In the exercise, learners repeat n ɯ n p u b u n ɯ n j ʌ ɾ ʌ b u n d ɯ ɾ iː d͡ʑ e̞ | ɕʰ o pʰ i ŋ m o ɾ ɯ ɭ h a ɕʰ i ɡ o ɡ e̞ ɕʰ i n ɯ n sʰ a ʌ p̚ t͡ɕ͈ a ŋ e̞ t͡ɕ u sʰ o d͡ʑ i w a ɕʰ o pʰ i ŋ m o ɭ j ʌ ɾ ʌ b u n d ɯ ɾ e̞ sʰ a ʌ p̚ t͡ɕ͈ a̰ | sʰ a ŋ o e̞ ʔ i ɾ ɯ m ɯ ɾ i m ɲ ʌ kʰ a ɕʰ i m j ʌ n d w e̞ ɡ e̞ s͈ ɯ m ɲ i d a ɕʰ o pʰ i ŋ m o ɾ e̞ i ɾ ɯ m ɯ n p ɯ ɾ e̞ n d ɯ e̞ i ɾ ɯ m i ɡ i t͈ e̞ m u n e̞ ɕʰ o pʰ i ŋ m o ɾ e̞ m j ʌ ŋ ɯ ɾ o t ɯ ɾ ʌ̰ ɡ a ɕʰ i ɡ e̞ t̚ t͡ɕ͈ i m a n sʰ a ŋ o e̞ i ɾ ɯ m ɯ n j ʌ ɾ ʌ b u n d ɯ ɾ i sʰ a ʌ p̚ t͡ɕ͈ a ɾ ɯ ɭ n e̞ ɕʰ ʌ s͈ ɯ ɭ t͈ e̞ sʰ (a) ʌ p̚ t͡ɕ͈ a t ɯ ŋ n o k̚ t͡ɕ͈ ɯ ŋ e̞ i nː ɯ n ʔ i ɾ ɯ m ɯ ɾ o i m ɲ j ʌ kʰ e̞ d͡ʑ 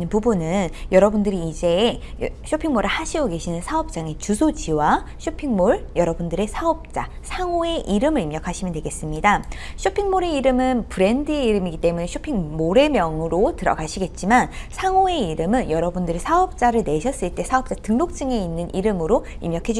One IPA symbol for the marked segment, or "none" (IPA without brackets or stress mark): a